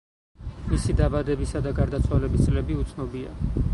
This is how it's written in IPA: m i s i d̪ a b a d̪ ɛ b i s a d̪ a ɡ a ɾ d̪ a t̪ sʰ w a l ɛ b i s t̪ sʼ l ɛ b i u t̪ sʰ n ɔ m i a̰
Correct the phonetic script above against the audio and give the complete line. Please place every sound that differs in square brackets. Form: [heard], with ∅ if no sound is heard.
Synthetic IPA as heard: m i s i d̪ a b a d̪ ɛ b i s a d̪ a ɡ a ɾ d̪ a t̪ sʰ w a l ɛ b i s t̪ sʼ l ɛ b i u t̪ sʰ n ɔ [b] i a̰